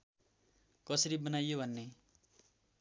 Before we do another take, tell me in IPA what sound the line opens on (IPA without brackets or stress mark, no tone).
k